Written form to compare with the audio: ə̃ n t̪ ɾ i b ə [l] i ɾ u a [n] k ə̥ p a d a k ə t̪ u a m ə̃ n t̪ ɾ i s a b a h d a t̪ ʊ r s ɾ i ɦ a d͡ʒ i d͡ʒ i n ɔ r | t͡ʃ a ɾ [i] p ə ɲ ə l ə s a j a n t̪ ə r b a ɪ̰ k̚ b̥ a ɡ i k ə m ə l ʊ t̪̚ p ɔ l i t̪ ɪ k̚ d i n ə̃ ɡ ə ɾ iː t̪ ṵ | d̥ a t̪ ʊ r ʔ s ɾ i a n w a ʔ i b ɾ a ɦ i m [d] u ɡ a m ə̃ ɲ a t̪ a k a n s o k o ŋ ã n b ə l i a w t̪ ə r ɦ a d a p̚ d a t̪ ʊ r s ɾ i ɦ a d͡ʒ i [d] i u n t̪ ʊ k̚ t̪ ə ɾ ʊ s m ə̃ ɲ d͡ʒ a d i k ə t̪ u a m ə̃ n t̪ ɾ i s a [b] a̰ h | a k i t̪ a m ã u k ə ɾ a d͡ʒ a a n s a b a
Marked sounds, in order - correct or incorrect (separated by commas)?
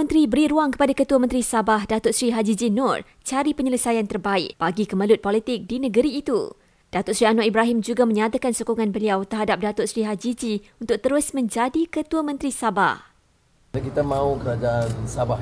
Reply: incorrect, incorrect, correct, incorrect, incorrect, correct